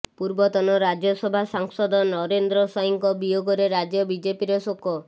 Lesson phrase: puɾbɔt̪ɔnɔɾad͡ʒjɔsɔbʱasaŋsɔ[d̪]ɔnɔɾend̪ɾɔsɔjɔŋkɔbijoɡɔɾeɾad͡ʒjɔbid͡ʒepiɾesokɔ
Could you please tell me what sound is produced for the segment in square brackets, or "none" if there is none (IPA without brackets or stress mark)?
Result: d̪